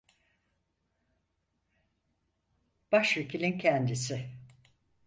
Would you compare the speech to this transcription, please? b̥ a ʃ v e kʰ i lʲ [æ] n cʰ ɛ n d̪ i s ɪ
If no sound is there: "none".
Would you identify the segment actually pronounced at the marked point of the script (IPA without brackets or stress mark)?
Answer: i